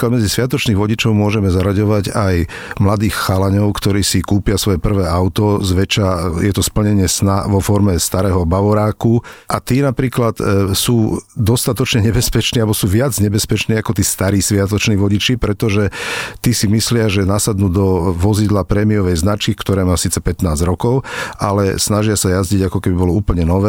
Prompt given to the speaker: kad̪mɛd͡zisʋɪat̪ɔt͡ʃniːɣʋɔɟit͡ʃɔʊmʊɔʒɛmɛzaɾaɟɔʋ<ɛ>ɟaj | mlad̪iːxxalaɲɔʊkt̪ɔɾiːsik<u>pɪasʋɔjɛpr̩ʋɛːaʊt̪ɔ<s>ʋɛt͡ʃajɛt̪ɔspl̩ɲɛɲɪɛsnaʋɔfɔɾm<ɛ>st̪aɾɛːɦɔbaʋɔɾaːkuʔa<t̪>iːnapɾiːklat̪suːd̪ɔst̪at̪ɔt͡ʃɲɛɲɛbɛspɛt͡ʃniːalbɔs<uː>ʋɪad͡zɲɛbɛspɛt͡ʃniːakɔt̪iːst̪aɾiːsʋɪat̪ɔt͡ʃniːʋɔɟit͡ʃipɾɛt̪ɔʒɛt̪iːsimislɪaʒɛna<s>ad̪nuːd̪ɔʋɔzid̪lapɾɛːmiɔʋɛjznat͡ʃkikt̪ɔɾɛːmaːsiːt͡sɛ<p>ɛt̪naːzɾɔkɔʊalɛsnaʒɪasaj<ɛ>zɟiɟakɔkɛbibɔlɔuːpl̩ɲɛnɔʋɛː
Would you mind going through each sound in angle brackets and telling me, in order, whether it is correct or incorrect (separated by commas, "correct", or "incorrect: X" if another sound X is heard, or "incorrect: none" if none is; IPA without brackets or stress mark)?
incorrect: a, incorrect: uː, incorrect: z, correct, correct, correct, correct, correct, incorrect: a